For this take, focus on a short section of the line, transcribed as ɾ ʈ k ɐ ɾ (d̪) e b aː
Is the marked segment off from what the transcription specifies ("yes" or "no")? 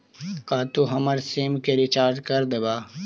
no